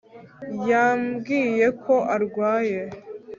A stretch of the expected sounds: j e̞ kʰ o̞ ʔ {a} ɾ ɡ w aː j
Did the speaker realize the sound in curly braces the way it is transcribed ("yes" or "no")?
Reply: yes